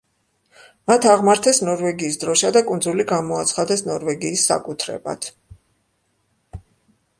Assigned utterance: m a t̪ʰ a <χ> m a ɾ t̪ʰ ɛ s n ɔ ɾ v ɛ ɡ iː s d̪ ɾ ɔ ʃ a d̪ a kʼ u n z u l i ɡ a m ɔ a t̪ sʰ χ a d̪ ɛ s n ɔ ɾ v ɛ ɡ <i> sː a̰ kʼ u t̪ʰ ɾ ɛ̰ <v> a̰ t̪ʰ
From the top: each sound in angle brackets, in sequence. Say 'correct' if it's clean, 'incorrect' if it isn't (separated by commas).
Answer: incorrect, incorrect, incorrect